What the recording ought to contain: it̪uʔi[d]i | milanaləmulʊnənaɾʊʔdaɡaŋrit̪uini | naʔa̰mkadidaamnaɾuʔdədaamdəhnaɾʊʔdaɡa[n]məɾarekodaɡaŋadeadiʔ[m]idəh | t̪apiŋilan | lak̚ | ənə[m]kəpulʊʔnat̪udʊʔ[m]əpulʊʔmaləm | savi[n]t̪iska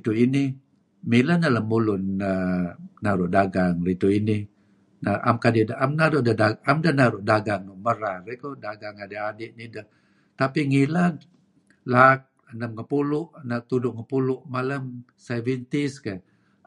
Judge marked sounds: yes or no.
no, no, no, yes, no, yes

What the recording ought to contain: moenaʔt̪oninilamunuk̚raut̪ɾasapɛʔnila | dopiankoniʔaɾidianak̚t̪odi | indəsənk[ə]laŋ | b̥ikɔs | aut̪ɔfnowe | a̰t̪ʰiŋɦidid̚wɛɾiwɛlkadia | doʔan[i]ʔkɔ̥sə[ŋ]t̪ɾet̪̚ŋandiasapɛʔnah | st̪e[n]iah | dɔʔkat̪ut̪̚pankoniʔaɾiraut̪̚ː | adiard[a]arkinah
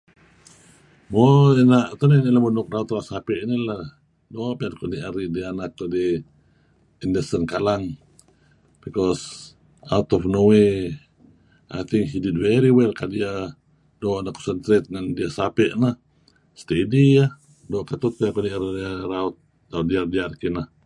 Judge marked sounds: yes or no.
no, no, no, no, no

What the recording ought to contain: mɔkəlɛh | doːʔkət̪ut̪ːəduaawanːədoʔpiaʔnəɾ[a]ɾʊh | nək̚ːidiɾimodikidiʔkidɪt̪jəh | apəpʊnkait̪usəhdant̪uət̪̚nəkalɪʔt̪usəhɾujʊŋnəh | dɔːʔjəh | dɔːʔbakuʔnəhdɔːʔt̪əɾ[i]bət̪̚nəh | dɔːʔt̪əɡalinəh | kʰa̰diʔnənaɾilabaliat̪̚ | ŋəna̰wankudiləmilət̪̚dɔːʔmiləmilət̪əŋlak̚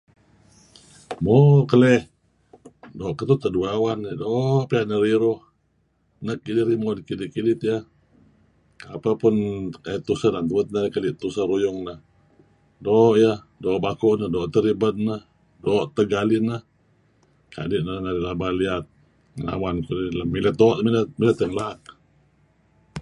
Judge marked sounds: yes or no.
no, yes

